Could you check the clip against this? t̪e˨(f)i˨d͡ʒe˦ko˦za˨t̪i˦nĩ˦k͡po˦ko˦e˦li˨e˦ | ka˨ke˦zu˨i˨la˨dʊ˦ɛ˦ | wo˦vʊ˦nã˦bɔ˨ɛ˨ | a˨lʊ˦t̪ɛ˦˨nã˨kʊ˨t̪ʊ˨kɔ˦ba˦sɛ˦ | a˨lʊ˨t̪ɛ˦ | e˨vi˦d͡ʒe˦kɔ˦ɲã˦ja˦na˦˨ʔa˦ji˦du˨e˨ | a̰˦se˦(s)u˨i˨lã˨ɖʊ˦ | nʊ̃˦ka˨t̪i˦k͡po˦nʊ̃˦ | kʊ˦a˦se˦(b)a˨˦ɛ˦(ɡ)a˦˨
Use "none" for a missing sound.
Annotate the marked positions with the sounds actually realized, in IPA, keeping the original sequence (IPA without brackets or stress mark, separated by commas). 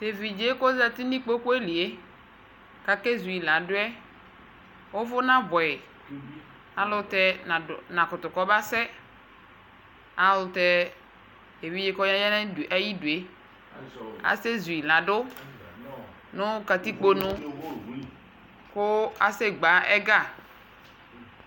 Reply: v, z, ɡ͡b, ɡ